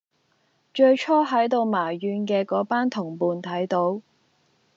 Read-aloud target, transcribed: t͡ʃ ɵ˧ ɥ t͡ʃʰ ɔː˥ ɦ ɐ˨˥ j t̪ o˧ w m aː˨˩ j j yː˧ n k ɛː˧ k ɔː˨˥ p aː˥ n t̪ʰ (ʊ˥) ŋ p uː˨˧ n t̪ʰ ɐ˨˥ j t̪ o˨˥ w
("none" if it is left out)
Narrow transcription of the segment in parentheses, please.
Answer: ʊ˨˩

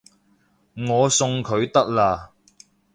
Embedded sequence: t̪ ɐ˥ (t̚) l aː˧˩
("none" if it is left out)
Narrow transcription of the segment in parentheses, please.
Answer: k̚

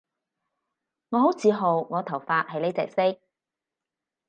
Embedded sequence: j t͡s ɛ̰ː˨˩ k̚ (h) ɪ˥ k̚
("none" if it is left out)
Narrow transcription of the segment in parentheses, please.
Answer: s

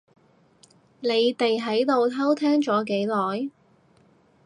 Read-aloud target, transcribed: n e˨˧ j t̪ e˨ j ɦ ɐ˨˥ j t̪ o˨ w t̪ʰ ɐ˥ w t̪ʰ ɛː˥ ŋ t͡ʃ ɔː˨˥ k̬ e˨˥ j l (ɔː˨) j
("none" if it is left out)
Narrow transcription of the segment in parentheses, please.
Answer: ɔː˨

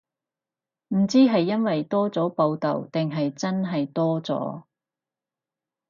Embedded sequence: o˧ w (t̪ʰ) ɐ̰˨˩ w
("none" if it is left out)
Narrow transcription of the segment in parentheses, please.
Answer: t̪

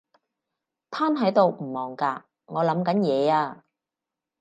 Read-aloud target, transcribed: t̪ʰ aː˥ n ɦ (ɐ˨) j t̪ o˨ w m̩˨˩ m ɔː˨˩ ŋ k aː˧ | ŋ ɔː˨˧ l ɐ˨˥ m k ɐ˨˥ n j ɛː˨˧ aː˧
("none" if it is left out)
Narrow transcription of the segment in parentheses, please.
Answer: ɐ˨˥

